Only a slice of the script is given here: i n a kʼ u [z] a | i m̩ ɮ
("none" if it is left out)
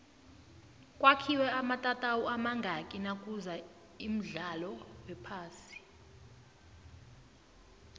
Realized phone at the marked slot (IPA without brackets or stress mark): z